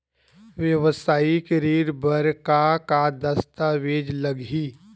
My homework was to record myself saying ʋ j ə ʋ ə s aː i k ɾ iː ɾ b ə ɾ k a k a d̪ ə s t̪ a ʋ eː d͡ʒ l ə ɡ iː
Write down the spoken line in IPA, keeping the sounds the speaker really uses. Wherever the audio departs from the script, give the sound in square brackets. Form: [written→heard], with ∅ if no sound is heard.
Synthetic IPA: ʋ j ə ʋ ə s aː i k ɾ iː ɾ b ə ɾ k a k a d̪ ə s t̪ a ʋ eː d͡ʒ l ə ɡ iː